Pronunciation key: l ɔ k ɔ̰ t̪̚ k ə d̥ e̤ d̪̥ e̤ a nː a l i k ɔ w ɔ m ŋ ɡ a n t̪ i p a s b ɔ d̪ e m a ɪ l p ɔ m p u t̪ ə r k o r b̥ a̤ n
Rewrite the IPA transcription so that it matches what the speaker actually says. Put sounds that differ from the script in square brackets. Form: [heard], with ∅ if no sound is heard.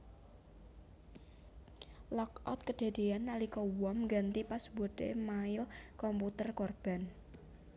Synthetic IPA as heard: l ɔ k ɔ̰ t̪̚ k ə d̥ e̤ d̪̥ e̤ a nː a l i k ɔ w ɔ m ŋ ɡ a n t̪ i p a s b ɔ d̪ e m a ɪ l [k] ɔ m p u t̪ ə r k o r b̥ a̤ n